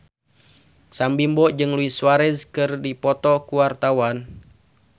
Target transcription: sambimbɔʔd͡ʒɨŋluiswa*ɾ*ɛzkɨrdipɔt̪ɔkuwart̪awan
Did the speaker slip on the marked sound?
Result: no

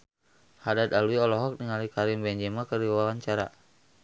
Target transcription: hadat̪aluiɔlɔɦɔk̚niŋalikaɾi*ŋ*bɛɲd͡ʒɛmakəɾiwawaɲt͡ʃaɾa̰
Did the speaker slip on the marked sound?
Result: yes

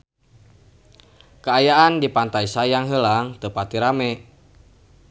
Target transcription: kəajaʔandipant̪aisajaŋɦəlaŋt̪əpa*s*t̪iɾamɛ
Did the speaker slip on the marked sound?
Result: yes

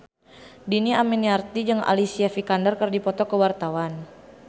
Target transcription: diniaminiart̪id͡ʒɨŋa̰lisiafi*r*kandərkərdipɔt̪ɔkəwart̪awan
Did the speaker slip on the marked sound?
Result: yes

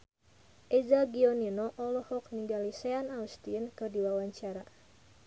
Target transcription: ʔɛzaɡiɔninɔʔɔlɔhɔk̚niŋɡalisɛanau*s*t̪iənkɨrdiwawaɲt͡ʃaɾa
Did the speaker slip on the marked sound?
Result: no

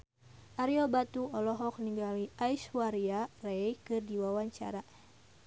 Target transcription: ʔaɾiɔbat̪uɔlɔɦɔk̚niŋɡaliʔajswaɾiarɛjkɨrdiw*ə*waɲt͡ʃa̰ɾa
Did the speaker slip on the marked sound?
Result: yes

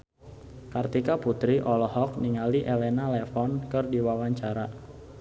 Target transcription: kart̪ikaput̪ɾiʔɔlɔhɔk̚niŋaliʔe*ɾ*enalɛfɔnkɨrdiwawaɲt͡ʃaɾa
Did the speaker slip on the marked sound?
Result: yes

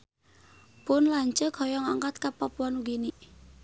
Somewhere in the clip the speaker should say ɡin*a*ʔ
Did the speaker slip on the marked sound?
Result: yes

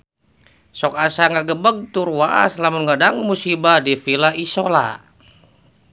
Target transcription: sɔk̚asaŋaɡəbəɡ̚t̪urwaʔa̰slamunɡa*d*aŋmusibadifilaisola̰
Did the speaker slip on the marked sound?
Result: no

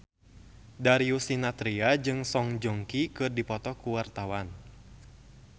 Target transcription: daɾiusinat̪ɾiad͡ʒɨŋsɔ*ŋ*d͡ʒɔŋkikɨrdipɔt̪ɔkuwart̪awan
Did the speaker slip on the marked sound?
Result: no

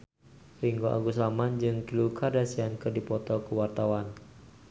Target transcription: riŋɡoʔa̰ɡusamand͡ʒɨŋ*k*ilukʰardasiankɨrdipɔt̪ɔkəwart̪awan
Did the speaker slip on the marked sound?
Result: no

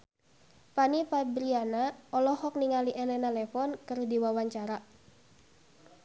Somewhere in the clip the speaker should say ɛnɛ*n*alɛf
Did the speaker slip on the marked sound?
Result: no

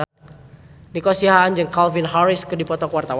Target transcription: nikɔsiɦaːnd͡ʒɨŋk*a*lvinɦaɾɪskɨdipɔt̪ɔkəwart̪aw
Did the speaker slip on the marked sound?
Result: no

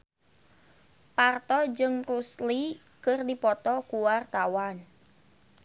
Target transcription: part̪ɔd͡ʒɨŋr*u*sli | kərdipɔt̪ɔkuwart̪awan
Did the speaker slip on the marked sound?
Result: no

